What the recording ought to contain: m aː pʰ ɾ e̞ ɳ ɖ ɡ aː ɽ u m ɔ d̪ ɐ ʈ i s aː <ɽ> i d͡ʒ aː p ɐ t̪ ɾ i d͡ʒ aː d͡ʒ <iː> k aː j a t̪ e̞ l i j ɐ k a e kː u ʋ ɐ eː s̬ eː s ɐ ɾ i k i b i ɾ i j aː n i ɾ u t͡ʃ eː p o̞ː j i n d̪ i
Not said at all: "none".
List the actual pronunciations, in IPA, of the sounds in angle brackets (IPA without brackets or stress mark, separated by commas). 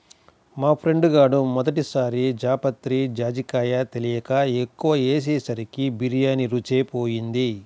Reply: ɾ, i